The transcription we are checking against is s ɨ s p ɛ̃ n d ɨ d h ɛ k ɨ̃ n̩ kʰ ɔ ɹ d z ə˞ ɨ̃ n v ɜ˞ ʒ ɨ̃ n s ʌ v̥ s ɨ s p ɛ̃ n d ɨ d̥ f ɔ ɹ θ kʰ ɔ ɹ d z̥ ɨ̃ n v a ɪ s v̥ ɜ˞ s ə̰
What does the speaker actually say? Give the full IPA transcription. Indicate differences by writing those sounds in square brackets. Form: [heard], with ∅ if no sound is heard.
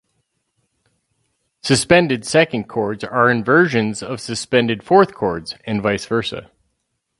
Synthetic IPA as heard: s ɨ s p ɛ̃ n d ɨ d [s] ɛ k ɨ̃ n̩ kʰ ɔ ɹ d z ə˞ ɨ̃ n v ɜ˞ ʒ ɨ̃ n [z] ʌ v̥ s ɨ s p ɛ̃ n d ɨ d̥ f ɔ ɹ θ kʰ ɔ ɹ d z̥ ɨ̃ n v a ɪ s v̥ ɜ˞ s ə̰